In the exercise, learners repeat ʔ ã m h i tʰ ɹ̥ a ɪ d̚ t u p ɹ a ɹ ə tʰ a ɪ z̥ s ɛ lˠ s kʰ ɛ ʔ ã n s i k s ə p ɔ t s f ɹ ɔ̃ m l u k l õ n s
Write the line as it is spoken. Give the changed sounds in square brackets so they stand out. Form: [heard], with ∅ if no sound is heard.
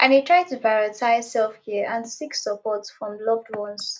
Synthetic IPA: ʔ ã [n] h i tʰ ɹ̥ a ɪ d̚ t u p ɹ a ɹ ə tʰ a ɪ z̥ s ɛ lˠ [f] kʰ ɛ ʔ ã n s i k s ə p ɔ t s f ɹ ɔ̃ m l [ɔ] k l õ n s

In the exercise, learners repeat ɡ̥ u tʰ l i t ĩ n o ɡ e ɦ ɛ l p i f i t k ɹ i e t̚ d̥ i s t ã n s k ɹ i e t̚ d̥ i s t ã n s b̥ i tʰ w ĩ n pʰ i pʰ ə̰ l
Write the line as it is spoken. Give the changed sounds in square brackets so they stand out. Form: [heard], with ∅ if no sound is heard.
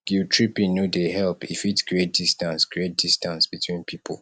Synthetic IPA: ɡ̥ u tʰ [ɹ] i [p] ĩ n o [d] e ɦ ɛ l p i f i t k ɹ i e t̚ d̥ i s t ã n s k ɹ i e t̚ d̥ i s t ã n s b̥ i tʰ w ĩ n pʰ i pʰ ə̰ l

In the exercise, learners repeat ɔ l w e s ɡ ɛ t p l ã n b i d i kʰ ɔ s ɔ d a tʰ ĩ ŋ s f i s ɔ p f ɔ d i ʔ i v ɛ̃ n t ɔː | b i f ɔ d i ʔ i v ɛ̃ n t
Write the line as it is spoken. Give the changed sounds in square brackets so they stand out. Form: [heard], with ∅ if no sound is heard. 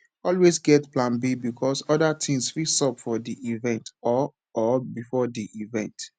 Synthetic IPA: ɔ l w e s ɡ ɛ t p l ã n b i [b] i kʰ ɔ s ɔ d a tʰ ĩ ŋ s f i s ɔ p f ɔ d i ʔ i v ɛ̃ n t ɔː | b i f ɔ d i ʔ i v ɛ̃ n t

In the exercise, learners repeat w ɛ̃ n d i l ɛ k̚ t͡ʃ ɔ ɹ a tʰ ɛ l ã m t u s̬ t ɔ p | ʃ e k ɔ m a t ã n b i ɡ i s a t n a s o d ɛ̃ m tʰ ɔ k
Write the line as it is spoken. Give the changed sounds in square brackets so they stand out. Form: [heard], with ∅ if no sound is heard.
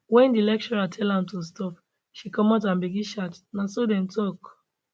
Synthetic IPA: w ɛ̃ n d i l ɛ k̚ t͡ʃ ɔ ɹ a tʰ ɛ l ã m t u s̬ t ɔ p | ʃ [i] k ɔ m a t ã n b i ɡ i [ʃ] a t n a s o d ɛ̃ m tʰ ɔ k

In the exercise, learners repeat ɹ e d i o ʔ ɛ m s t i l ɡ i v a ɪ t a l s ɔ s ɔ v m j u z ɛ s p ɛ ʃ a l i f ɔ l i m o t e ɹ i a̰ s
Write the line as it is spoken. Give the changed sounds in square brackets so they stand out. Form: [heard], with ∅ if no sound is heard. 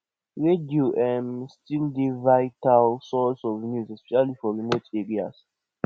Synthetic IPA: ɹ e d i o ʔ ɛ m s t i l [d] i v a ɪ t a l s ɔ s ɔ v [n] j u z ɛ s p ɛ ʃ a l i f ɔ [ɹ] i m o t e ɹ i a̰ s

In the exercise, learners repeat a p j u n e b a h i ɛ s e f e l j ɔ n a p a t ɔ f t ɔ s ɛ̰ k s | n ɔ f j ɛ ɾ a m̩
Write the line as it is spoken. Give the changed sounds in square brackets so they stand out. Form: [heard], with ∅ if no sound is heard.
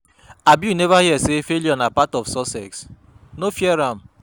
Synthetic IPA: a [b] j u n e [v] a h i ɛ s e f e l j ɔ n a p a t ɔ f [s] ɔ s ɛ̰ k s | n [o] f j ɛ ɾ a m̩

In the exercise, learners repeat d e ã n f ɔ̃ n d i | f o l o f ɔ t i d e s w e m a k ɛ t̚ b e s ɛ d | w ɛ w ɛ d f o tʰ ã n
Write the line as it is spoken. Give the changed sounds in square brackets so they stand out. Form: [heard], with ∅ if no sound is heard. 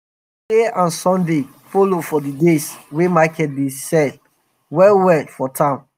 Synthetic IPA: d e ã n [s] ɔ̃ n d [e] | f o l o f ɔ [d] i d e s w e m a k ɛ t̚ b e s ɛ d | w ɛ w ɛ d f [ɔ] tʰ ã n

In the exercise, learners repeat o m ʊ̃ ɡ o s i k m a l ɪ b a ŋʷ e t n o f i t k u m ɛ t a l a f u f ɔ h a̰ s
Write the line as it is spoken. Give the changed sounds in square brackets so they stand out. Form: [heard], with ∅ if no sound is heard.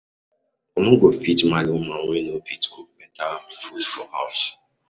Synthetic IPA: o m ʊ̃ ɡ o [f] i [t] m a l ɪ [m] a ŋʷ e [∅] n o f i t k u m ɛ t a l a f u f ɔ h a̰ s

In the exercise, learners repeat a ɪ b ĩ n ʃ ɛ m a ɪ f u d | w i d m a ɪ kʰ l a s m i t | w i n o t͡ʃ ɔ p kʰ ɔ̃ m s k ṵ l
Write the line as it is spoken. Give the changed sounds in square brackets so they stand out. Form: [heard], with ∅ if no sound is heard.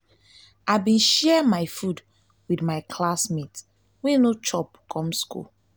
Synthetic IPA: a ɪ b ĩ n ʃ ɛ m a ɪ f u d | w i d m a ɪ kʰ l a s m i t | w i n o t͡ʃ ɔ p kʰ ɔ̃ m s k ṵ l

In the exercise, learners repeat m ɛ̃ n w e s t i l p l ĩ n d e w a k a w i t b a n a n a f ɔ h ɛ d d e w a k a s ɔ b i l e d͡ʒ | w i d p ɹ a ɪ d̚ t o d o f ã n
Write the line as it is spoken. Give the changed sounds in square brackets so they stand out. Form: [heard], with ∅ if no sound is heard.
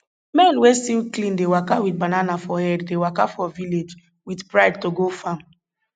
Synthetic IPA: m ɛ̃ n w e s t i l [k] l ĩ n d e w a k a w i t b a n a n a f ɔ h ɛ d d e w a k a [f] ɔ [v] i l e d͡ʒ | w i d p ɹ a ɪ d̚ t o [ɡ] o f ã [m]

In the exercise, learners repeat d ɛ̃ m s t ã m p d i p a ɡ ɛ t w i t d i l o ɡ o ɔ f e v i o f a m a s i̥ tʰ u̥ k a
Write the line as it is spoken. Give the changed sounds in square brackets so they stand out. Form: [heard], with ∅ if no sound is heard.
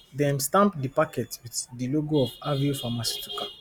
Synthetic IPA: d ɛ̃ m s t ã m p d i p a [k] ɛ t w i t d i l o ɡ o ɔ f [a] v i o f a m a s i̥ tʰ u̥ k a

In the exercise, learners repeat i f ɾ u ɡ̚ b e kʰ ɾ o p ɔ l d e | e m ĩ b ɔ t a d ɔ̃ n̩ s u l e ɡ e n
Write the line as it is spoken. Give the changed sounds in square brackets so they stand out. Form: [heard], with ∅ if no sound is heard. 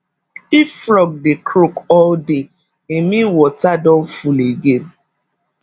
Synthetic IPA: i f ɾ [ɔ] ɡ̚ [d] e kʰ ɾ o [k] ɔ l d e | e m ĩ [w] ɔ t a d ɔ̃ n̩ [f] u l e ɡ e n

